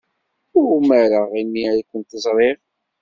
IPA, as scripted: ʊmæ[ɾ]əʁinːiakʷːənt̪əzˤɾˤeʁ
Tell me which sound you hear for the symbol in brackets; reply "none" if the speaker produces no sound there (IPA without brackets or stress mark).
ɾ